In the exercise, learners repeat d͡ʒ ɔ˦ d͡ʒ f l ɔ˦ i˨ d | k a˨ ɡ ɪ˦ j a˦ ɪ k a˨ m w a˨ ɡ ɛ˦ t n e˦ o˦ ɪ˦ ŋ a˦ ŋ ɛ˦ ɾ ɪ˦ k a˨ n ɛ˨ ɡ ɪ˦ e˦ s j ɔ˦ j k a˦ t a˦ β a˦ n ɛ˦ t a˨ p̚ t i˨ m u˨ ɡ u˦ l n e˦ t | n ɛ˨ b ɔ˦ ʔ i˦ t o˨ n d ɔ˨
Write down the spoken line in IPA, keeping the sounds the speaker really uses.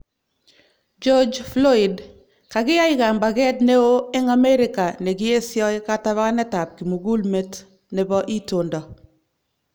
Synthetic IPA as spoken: d͡ʒ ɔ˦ d͡ʒ f l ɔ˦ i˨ d | k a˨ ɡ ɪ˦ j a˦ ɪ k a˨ m b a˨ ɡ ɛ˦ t n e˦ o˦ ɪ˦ ŋ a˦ m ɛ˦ ɾ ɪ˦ k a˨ n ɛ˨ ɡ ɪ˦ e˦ s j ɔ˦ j k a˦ t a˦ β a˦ n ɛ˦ t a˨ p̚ k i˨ m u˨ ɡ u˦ l m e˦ t | n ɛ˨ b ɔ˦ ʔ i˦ t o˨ n d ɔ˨